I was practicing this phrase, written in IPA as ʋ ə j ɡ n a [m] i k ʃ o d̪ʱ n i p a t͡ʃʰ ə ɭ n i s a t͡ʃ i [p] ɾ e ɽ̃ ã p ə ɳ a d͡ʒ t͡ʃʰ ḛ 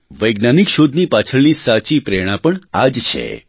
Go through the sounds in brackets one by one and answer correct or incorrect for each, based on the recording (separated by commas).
incorrect, correct